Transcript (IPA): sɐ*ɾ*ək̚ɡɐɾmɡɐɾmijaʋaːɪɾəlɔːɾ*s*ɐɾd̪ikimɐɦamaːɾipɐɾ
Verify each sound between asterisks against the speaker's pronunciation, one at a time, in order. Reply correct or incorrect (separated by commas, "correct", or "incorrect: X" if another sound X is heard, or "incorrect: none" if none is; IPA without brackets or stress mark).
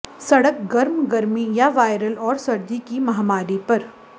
incorrect: ɽ, correct